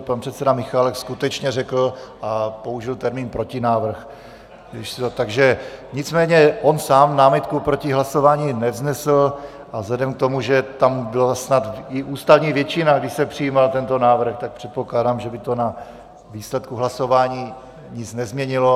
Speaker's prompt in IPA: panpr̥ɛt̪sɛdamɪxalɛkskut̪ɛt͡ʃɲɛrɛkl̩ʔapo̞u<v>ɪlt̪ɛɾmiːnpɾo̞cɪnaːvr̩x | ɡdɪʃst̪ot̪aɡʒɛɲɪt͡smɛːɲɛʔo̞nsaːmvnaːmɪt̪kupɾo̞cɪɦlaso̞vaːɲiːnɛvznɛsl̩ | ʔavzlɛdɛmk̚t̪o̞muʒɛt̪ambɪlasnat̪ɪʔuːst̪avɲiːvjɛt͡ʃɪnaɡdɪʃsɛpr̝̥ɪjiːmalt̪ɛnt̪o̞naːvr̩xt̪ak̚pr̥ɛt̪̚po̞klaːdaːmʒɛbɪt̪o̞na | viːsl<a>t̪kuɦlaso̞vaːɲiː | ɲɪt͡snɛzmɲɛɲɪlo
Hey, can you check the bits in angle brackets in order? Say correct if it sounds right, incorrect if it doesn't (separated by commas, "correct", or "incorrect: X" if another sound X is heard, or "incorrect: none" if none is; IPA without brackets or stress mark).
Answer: incorrect: ʒ, incorrect: ɛ